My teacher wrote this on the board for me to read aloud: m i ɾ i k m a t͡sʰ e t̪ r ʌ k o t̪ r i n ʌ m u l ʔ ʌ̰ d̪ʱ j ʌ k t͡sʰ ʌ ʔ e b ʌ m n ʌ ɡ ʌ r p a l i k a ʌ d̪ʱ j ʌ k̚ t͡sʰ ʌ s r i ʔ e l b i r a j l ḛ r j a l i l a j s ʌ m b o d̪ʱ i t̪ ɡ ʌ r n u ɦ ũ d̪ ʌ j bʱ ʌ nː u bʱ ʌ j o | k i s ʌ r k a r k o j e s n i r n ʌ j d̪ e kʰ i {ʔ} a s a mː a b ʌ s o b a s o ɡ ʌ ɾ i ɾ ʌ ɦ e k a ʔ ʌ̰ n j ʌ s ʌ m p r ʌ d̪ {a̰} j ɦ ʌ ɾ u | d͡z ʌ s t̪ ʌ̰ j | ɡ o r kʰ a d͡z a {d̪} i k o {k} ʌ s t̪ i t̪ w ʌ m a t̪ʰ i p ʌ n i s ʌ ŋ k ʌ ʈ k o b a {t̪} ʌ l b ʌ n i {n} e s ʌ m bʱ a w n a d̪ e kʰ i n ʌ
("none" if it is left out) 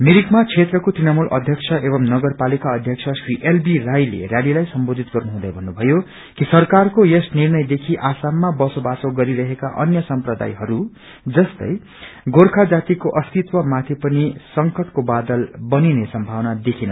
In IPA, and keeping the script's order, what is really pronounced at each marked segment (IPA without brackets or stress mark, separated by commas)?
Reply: ʔ, a̰, t̪, ʔ, d̪, n